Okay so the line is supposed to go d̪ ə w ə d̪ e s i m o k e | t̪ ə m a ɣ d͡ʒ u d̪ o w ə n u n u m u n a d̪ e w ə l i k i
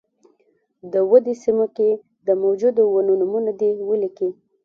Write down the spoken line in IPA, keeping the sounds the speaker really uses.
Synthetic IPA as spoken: d̪ ə w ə d̪ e s i m o k e | d̪ ə m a w d͡ʒ u d̪ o w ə n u n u m u n a d̪ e w ə l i k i